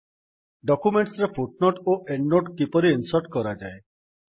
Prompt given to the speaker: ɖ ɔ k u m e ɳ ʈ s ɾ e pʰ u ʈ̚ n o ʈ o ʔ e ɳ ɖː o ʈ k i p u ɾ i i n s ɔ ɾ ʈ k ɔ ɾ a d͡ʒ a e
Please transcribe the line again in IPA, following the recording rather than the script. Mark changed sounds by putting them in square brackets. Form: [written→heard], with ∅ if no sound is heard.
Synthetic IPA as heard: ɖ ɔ k u m e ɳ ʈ s ɾ e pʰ u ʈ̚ n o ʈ o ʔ e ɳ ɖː o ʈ k i p [u→ɔ] ɾ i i n s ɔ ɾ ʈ k ɔ ɾ a d͡ʒ a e